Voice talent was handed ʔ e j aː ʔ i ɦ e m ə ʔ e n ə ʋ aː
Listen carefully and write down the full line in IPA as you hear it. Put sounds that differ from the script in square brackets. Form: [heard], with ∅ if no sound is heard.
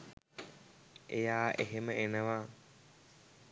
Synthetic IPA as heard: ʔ e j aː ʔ [e] ɦ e m ə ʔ e n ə ʋ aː